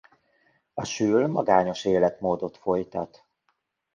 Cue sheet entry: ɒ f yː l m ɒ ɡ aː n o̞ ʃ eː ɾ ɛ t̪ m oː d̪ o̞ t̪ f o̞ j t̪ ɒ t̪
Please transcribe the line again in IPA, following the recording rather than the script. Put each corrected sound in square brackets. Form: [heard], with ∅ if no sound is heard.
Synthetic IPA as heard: ɒ [ʃ] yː l m ɒ ɡ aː [ɲ] o̞ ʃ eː [l] ɛ t̪ m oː d̪ o̞ t̪ f o̞ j t̪ ɒ t̪